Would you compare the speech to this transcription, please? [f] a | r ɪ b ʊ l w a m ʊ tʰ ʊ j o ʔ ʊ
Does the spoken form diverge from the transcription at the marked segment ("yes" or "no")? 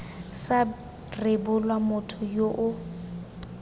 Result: yes